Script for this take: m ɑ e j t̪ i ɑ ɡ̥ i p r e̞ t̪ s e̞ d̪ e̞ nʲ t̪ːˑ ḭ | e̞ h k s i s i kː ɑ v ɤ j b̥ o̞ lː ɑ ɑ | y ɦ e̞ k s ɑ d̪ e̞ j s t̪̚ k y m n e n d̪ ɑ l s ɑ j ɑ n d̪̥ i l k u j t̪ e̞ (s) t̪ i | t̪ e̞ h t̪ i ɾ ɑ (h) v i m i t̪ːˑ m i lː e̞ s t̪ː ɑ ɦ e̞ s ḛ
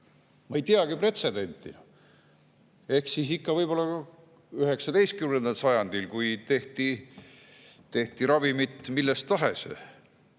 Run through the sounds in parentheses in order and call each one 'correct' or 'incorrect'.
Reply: incorrect: h, incorrect: none

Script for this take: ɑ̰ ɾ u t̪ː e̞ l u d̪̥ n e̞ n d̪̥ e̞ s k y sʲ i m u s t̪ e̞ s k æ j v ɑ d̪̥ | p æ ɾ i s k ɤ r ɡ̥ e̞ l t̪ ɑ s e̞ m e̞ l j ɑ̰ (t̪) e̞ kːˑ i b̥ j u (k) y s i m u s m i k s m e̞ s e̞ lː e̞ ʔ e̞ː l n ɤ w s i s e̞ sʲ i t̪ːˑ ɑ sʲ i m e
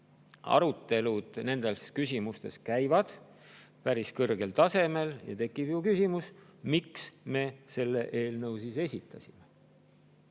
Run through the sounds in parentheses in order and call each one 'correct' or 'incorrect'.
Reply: correct, correct

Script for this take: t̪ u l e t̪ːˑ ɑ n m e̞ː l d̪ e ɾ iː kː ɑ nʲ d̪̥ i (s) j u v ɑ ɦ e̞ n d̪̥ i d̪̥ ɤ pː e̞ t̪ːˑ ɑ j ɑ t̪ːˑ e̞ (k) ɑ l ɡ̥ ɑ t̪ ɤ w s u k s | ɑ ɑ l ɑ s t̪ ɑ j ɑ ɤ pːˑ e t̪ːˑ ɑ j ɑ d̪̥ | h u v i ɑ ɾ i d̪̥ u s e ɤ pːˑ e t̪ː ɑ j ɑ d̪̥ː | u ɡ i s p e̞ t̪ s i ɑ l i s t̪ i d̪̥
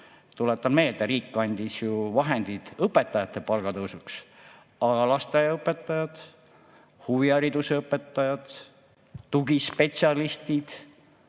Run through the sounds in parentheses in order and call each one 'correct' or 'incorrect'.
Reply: correct, incorrect: p

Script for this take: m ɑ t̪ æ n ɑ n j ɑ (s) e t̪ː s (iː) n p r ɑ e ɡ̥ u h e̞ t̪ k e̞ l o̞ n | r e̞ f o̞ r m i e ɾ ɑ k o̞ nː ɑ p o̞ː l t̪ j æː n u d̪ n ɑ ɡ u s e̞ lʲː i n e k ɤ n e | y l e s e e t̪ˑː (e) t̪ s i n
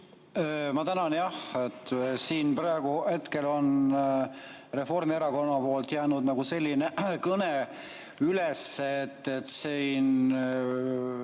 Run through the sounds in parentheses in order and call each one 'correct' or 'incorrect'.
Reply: incorrect: h, correct, correct

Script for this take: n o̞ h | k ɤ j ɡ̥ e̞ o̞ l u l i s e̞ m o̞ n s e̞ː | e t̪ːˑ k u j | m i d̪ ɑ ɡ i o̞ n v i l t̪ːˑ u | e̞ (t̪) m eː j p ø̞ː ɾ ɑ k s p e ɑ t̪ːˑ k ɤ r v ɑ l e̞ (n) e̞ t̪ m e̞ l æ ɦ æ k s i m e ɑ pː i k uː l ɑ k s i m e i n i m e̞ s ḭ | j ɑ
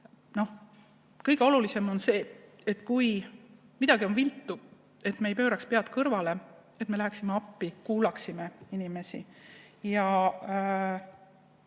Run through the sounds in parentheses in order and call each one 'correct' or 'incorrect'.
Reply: correct, incorrect: none

